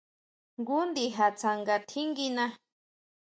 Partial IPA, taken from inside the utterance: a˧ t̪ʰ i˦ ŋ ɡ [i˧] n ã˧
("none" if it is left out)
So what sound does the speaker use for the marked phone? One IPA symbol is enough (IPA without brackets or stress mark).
i˧